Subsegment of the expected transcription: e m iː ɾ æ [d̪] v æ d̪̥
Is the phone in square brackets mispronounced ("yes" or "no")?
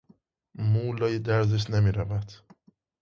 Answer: yes